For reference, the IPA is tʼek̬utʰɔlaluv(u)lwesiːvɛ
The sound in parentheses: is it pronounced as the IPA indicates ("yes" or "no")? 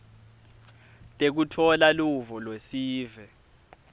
no